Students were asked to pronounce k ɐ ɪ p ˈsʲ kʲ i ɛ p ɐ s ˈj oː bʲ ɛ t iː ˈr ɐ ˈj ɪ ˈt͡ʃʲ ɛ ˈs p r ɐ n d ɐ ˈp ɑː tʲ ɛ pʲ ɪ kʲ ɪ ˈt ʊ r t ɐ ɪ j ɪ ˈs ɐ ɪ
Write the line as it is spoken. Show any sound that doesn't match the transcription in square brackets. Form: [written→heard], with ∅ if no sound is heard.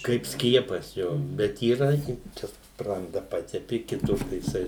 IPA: k ɐ ɪ p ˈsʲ kʲ i ɛ p ɐ s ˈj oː bʲ ɛ t iː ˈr ɐ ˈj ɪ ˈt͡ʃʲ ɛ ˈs p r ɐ n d ɐ ˈp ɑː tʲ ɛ pʲ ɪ kʲ ɪ ˈt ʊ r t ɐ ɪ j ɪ ˈs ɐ ɪ